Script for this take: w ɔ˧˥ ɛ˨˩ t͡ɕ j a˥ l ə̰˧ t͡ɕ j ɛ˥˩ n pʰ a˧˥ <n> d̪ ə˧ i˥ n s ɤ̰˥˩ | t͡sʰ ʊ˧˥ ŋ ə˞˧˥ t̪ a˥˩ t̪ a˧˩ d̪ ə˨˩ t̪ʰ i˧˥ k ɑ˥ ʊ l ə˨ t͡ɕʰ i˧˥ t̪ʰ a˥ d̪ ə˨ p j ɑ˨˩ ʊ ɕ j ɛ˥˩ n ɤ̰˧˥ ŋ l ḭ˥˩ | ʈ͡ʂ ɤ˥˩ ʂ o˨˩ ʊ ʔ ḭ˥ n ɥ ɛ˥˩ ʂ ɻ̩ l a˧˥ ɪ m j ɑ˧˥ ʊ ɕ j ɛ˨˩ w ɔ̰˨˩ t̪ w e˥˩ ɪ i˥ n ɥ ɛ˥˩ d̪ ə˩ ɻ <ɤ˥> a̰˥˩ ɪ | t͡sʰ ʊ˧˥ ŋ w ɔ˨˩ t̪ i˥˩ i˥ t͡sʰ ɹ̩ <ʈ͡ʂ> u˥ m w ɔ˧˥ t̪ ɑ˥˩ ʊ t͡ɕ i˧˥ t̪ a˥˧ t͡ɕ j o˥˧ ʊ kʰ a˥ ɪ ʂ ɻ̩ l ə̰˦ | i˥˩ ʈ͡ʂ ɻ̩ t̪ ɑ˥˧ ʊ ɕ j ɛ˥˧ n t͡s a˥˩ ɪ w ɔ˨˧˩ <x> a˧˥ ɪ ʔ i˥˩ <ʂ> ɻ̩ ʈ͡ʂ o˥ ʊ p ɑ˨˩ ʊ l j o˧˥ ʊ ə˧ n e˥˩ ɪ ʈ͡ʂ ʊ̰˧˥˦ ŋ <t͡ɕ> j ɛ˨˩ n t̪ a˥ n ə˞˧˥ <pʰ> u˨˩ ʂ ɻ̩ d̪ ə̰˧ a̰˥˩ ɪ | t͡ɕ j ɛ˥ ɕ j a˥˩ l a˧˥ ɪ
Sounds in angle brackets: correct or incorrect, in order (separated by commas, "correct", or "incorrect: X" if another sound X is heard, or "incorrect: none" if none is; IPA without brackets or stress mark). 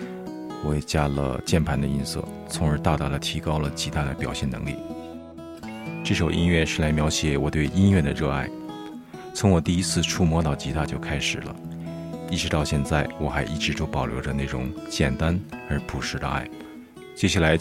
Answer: correct, incorrect: ɤ˥˧, incorrect: ʈ͡ʂʰ, correct, incorrect: ʈ͡ʂ, correct, correct